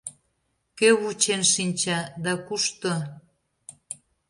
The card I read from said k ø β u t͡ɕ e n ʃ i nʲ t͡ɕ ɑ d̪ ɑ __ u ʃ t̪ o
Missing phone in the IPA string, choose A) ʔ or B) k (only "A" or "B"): B